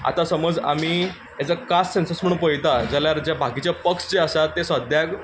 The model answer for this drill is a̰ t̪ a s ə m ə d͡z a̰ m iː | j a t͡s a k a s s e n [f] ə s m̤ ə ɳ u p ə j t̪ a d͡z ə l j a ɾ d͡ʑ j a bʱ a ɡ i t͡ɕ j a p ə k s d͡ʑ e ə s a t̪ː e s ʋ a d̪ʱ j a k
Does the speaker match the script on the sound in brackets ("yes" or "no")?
no